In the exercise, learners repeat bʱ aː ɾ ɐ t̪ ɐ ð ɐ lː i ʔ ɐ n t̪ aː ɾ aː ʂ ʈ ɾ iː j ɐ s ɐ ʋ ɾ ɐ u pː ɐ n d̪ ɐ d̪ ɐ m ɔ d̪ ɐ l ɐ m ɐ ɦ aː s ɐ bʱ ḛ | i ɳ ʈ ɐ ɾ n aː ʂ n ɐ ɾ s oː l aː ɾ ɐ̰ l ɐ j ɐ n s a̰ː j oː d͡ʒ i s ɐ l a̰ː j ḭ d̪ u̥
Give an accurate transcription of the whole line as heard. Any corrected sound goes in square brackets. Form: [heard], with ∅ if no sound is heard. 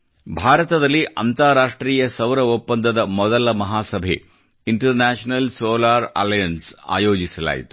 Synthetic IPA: bʱ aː ɾ ɐ t̪ ɐ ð ɐ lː i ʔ ɐ n t̪ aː ɾ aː ʂ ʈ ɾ iː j ɐ s ɐ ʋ ɾ ɐ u pː ɐ n d̪ ɐ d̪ ɐ m ɔ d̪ ɐ l ɐ m ɐ ɦ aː s ɐ bʱ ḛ | i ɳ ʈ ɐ ɾ n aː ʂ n ɐ [l] s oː l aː ɾ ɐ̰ l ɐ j ɐ n s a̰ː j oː d͡ʒ i s ɐ l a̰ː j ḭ [t̪] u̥